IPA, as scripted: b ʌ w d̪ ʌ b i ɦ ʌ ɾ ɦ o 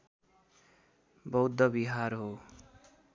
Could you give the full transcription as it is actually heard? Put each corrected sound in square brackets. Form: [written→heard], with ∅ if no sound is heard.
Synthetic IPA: b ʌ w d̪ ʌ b i ɦ [ʌ→a] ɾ ɦ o

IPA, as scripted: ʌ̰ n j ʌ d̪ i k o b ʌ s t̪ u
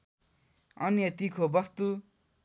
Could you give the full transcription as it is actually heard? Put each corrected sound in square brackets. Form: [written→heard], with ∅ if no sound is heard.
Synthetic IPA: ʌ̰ n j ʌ [d̪→t̪] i [k→kʰ] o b ʌ s t̪ u

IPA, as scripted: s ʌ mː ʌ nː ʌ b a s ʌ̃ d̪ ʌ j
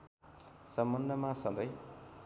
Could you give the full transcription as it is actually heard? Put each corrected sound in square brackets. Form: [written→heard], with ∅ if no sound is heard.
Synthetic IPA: s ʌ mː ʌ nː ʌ [b→m] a s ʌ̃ d̪ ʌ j

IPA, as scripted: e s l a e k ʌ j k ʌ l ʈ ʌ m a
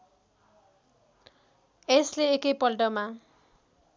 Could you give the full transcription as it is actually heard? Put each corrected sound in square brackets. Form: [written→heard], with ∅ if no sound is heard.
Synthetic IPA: e s l [a→e] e k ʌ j [k→p] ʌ l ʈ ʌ m a

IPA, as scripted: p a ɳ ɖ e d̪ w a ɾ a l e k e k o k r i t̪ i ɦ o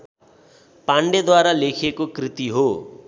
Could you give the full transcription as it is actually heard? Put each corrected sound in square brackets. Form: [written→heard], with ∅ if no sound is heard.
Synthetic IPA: p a ɳ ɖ e d̪ w a ɾ a l e [k→kʰ] e k o k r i t̪ i ɦ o

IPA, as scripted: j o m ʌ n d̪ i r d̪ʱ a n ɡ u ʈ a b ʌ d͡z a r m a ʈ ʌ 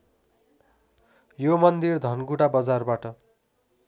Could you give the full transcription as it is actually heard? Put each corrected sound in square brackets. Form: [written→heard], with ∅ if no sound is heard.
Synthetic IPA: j o m ʌ n d̪ i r d̪ʱ [a→ʌ] n ɡ u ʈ a b ʌ d͡z a r [m→b] a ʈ ʌ

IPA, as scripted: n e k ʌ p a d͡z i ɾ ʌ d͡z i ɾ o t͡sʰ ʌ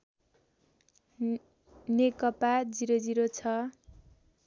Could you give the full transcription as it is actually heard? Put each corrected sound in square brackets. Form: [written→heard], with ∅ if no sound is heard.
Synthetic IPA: n e k ʌ p a d͡z i ɾ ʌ d͡z i ɾ o t͡sʰ ʌ

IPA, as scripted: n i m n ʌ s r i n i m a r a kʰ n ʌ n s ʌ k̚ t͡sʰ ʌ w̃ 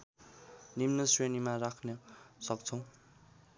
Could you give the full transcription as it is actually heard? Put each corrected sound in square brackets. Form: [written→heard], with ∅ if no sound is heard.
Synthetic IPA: n i m n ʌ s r [i→e] n i m a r a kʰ n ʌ [n→∅] s ʌ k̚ t͡sʰ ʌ w̃

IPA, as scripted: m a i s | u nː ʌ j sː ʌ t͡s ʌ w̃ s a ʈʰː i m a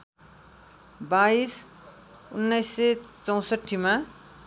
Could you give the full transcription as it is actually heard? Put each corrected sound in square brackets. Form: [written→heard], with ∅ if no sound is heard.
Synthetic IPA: [m→b] a i s | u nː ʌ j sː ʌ t͡s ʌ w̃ s [a→ʌ] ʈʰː i m a

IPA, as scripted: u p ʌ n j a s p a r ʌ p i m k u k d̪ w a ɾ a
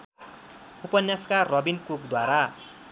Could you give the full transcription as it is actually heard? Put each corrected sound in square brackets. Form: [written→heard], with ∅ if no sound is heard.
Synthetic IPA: u p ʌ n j a s [p→k] a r ʌ [p→b] i [m→n] k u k d̪ w a ɾ a

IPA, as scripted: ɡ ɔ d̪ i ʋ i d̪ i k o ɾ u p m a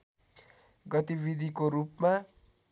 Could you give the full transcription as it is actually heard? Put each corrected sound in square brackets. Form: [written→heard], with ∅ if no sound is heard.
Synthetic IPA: ɡ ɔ [d̪→t̪] i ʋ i d̪ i k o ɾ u p m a

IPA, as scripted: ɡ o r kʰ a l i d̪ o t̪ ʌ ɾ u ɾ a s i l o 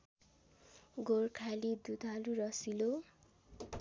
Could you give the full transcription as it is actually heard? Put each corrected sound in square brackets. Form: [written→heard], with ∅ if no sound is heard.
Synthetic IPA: ɡ o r kʰ a l i d̪ [o→u] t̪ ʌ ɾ u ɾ [a→ʌ] s i l o

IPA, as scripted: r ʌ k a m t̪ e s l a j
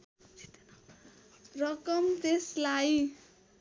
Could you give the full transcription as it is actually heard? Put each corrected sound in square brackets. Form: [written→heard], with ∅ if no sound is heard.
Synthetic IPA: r ʌ k [a→ʌ] m t̪ e s l a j

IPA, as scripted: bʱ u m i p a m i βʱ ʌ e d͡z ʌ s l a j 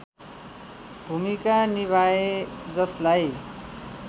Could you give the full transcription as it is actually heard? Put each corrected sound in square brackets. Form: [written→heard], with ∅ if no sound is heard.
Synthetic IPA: bʱ u m i [p→k] a [m→n] i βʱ [ʌ→a] e d͡z ʌ s l a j

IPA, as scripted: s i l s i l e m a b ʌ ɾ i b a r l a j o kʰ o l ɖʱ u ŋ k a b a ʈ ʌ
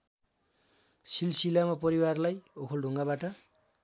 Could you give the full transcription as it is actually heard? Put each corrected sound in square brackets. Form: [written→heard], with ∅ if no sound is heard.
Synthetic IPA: s i l s i l [e→a] m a [b→p] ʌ ɾ i [b→w] a r l a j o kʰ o l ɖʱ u ŋ [k→ɡ] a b a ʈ ʌ

